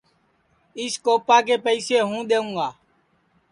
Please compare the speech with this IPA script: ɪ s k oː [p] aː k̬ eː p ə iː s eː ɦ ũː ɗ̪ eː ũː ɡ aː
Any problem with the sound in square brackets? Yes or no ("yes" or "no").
no